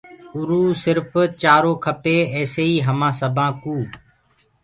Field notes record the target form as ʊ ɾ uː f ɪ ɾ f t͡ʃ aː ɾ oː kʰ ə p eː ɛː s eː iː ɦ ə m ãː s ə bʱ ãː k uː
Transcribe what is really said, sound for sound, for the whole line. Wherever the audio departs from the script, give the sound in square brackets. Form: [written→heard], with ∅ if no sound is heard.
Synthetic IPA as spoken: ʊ ɾ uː [f→s] ɪ ɾ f t͡ʃ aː ɾ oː kʰ ə p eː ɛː s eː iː ɦ ə m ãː s ə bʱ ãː k uː